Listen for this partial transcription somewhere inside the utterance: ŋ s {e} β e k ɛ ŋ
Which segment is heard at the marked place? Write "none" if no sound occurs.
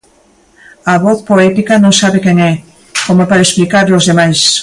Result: a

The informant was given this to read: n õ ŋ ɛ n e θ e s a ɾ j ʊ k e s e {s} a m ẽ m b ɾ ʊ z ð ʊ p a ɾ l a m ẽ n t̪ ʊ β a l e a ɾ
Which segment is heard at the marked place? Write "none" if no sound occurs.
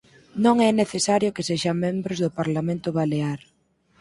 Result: ʃ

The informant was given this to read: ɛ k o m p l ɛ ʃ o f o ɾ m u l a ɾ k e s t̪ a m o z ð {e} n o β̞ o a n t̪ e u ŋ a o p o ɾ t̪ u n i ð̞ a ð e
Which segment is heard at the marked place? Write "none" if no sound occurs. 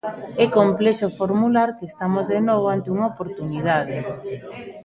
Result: e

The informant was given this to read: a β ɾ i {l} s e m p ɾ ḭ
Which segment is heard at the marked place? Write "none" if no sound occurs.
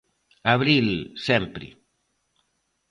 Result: l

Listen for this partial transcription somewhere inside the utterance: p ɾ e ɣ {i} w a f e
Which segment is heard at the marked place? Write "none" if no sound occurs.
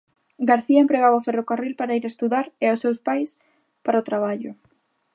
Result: a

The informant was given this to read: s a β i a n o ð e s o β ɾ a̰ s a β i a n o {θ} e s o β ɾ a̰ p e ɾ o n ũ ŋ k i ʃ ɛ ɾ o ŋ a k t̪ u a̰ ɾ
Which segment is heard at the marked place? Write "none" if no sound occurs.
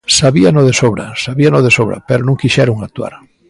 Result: ð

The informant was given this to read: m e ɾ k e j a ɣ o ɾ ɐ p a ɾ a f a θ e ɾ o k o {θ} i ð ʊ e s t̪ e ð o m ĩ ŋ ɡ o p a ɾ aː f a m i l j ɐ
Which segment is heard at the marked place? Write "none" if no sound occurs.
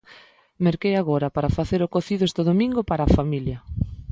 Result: θ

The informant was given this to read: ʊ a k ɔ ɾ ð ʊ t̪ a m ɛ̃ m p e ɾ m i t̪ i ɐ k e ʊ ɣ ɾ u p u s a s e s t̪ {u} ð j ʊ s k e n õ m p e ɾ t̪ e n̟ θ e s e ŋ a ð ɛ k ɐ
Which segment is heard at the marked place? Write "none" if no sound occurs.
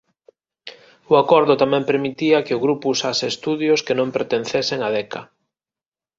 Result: u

